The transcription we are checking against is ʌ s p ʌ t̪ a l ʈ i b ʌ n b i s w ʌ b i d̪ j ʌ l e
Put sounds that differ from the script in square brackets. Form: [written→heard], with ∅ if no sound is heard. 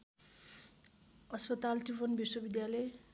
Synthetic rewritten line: ʌ s p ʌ t̪ a l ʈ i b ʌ n b i s w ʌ b i d̪ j [ʌ→a] l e